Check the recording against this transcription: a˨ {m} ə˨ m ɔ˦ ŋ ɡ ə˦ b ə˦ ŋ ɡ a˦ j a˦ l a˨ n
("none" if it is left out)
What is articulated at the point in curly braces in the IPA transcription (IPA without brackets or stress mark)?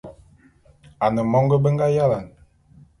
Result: n